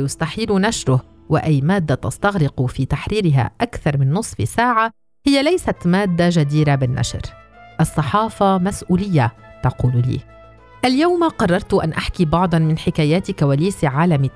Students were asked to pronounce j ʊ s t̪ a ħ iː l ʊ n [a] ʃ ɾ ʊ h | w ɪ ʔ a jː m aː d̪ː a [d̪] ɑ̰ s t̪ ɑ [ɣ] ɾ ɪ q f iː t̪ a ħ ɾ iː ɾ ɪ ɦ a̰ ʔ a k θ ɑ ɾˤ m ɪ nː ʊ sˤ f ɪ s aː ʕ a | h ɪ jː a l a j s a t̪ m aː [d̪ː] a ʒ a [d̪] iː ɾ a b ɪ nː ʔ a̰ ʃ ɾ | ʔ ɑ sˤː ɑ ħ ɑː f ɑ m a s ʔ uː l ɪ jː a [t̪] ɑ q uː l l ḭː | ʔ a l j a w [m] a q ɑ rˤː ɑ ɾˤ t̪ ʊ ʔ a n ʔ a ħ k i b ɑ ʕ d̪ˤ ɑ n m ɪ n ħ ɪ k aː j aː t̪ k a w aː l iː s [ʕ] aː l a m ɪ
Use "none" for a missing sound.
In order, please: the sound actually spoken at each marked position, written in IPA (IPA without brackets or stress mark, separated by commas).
a, t̪, ɣ, d̪ː, d̪, t̪, m, ʕ